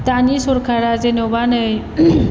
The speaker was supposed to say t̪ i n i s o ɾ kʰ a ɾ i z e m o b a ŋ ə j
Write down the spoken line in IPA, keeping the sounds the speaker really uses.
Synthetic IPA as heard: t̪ a n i s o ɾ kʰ a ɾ a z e n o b a n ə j